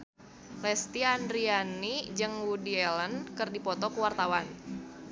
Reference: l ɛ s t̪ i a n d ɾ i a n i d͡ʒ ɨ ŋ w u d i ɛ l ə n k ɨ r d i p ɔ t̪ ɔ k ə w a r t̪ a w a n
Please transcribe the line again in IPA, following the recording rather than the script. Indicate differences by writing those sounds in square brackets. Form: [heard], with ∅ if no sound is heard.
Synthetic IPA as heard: l ɛ s t̪ i a n d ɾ i a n i d͡ʒ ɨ ŋ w u d i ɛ l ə n k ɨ r d i p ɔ t̪ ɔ k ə w a r t̪ a w a n